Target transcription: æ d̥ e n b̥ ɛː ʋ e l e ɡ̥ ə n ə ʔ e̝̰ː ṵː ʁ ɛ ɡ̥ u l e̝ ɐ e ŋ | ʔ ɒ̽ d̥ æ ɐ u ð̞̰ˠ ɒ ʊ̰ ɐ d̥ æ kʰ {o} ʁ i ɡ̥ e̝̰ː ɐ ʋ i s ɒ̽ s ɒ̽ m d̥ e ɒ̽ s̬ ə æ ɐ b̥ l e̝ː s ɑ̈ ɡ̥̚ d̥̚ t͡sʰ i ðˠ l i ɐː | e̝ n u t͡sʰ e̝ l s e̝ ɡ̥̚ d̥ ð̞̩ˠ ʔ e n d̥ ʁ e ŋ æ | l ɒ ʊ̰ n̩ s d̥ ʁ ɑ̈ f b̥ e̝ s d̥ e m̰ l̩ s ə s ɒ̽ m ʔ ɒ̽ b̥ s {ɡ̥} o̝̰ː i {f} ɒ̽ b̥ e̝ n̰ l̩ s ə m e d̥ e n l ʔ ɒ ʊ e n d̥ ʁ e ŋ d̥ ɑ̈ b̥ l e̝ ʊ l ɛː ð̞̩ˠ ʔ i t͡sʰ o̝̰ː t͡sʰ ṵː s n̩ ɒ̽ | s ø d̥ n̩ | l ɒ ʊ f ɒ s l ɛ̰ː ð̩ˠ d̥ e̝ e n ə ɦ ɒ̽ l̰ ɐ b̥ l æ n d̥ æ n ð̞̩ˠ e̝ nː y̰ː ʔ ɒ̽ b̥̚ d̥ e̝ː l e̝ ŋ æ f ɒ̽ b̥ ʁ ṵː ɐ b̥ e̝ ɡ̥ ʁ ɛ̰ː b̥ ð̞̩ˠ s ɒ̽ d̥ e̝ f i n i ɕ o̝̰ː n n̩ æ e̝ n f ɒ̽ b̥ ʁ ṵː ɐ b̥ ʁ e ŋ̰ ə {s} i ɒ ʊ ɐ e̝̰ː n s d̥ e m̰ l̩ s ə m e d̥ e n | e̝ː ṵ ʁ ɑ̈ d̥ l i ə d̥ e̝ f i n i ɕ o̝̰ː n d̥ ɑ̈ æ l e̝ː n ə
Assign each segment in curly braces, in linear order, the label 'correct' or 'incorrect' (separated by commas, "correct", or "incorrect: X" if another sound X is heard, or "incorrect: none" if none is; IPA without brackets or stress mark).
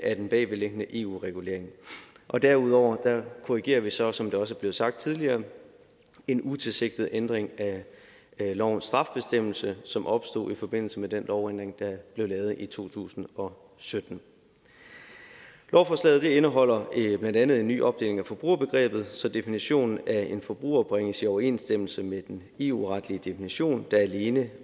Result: correct, incorrect: d̥, correct, correct